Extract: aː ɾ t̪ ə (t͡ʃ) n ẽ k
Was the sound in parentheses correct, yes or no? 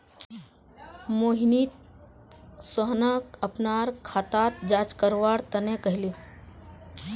no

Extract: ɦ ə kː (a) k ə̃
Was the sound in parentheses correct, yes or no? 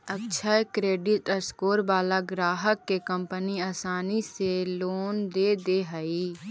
no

